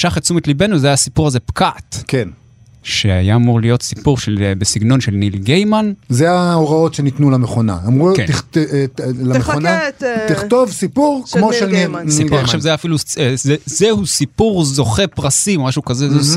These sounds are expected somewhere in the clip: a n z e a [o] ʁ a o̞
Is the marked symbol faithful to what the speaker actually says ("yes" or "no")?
yes